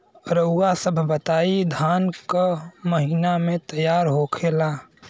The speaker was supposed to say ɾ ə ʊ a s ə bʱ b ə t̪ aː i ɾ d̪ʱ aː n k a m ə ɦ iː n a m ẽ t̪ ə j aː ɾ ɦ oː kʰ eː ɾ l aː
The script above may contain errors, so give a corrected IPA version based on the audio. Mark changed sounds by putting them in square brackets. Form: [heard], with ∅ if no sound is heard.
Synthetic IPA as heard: ɾ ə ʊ a s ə bʱ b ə t̪ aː i [∅] d̪ʱ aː n k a m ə ɦ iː n a m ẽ t̪ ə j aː ɾ ɦ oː kʰ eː [∅] l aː